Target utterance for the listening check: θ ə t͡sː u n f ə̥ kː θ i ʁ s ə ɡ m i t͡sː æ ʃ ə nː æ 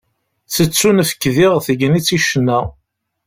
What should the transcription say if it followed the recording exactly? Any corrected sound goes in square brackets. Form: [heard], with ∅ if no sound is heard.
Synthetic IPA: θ ə t͡sː u n f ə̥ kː [ð] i ʁ [θ] ə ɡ [n] i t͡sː [i] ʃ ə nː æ